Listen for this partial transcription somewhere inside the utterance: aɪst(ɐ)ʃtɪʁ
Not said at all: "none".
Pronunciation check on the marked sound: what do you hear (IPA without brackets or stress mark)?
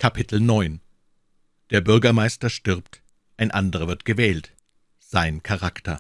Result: ɐ